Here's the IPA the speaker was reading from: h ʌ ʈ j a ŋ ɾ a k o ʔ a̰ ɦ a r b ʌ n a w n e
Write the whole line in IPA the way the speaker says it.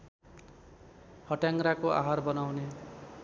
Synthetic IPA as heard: h ʌ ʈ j a ŋ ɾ a k o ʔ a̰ ɦ a r b ʌ n a w n e